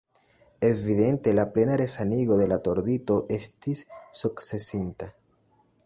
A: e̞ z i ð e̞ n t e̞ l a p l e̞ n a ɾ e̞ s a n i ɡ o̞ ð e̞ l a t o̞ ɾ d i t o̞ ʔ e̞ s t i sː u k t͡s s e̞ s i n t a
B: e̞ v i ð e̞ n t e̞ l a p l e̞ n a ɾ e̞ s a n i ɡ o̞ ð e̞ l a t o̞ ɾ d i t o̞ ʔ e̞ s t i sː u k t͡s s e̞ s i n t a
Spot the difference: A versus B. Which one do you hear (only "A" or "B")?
B